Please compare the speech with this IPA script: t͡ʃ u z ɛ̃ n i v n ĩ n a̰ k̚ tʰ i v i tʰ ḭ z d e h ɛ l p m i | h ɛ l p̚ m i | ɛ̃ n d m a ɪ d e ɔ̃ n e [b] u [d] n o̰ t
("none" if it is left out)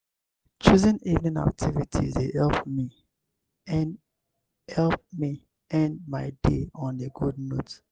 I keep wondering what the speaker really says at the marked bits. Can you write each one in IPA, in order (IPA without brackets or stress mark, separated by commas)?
ɡ, d